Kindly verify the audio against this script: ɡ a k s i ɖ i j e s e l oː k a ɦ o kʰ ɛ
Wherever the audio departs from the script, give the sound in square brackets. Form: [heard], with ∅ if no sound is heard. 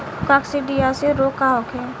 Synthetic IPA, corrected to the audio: [k] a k s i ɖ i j [a] s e [ɾ] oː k a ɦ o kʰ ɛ